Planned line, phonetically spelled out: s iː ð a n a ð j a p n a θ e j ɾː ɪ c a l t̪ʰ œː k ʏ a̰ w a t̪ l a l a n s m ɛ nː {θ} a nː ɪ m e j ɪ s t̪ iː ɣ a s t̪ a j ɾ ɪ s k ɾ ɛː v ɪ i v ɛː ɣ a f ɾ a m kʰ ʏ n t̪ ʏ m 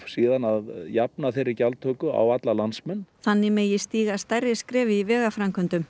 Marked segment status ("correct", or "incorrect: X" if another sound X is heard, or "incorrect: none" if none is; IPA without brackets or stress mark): correct